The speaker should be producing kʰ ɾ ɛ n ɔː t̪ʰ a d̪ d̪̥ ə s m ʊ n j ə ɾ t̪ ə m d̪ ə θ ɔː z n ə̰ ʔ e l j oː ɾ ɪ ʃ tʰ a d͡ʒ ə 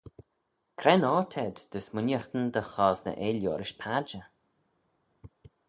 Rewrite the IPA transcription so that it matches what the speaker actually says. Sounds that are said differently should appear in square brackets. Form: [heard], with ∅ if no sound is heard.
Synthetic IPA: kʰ ɾ ɛ n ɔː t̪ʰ [ɛ] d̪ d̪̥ ə s m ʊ n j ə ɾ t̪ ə [n] d̪ ə [x] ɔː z n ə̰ ʔ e l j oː ɾ ɪ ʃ [pʰ] a d͡ʒ ə